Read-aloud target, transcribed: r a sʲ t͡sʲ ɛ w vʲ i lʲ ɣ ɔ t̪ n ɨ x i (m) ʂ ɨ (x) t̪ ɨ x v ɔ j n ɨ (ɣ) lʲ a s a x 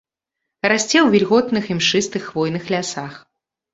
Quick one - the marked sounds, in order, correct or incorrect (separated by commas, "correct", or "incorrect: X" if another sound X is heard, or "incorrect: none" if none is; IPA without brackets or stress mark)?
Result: correct, incorrect: s, incorrect: x